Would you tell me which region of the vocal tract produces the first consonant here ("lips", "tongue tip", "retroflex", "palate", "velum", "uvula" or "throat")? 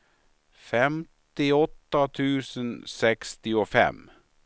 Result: lips